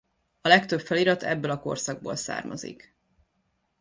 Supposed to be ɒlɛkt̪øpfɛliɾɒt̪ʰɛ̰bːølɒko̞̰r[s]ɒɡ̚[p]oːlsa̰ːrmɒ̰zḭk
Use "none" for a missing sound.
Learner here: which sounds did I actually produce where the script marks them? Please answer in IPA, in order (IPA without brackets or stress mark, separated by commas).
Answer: s, b